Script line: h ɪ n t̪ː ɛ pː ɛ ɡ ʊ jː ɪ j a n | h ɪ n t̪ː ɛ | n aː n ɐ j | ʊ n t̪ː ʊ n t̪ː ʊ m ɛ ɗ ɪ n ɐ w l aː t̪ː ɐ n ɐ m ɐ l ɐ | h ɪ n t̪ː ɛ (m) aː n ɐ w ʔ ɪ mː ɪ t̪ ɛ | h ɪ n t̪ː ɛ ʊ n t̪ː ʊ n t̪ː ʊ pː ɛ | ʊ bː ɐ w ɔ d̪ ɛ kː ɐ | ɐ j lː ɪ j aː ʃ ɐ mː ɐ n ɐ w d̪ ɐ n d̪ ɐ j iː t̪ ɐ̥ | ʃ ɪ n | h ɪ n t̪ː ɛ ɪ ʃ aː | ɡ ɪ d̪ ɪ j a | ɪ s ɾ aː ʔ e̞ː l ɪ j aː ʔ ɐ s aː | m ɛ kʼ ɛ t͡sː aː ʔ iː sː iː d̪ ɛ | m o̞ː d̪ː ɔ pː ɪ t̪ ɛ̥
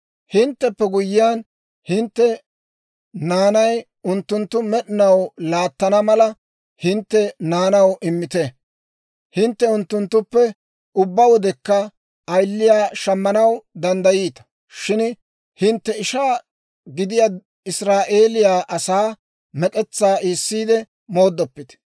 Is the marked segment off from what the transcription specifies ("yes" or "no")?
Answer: yes